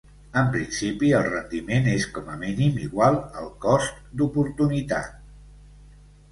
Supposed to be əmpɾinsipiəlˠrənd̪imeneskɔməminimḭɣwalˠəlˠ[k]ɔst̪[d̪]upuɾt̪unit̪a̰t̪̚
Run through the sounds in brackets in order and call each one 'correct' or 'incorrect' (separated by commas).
correct, correct